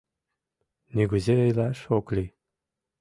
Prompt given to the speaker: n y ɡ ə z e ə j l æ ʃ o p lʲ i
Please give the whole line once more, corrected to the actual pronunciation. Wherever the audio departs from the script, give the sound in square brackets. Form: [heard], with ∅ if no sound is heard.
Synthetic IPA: n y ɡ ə z e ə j l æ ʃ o [k] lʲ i